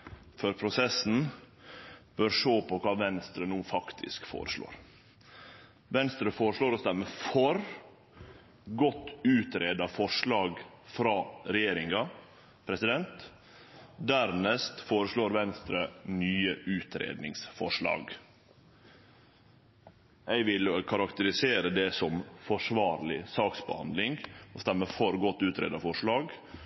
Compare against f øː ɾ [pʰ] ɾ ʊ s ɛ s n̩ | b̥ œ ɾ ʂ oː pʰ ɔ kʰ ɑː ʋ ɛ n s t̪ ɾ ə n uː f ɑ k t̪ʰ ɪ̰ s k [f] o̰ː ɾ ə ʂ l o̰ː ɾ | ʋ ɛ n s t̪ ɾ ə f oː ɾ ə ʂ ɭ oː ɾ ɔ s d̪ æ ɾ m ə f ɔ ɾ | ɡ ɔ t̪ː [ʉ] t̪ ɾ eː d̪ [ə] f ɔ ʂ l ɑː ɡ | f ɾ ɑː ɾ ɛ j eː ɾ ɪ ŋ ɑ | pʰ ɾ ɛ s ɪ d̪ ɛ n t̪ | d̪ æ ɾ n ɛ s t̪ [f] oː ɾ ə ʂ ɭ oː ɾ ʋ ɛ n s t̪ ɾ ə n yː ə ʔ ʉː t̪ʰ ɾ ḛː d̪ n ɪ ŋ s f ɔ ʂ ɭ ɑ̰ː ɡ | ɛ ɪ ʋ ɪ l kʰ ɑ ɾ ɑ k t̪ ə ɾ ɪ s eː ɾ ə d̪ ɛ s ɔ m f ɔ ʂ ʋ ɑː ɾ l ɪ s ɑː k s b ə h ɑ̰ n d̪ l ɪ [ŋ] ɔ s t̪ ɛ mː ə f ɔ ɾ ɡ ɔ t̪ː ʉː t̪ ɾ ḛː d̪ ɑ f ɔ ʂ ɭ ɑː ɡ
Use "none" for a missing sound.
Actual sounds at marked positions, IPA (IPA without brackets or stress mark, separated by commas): pʰ, f, ʉː, ɑ, f, ŋ